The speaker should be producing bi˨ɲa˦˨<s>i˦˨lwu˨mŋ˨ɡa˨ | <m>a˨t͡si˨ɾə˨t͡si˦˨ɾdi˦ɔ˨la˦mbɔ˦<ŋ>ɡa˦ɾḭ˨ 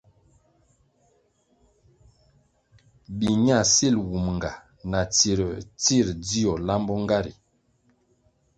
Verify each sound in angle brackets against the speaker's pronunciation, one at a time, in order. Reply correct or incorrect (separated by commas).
correct, incorrect, correct